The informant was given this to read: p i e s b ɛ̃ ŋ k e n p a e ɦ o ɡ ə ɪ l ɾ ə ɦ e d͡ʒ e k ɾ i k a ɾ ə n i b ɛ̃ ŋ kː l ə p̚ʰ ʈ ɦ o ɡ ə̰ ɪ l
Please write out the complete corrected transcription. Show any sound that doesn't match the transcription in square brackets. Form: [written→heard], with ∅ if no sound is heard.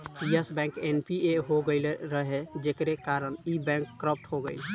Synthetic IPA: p i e s b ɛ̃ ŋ k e n p [a→i] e ɦ o ɡ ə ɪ l ɾ ə ɦ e d͡ʒ e k ɾ [i→e] k a ɾ ə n i b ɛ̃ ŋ kː [l→ɾ] ə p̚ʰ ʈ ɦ o ɡ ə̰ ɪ l